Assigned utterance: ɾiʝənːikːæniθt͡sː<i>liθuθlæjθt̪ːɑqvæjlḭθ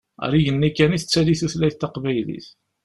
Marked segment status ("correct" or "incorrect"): incorrect